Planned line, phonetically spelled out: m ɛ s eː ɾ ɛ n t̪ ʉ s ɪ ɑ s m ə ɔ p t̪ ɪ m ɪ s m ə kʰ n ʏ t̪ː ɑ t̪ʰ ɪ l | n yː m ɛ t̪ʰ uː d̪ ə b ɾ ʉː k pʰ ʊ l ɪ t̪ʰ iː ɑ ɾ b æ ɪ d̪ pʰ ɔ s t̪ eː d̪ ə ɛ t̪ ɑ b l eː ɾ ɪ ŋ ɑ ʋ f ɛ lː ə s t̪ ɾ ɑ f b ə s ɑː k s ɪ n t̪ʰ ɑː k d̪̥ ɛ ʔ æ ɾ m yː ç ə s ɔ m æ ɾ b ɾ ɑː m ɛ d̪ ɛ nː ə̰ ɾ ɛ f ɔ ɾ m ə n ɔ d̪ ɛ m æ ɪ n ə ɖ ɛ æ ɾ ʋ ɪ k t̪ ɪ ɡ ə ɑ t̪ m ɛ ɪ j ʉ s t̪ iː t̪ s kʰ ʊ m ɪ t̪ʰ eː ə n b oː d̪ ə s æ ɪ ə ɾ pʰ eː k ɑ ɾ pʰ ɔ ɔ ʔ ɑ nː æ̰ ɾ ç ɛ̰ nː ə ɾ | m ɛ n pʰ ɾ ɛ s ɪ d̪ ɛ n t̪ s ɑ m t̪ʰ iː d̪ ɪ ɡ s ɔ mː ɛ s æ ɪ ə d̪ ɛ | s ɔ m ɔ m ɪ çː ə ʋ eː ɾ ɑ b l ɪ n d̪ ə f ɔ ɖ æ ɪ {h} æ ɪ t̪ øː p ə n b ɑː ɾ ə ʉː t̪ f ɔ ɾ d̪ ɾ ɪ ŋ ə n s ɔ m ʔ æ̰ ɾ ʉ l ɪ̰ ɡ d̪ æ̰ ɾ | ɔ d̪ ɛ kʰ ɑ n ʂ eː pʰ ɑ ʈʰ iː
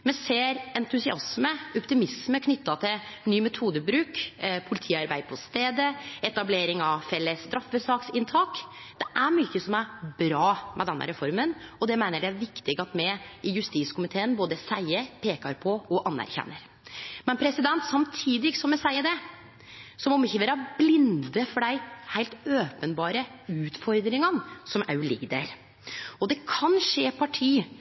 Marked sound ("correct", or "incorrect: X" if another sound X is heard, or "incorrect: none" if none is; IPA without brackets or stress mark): correct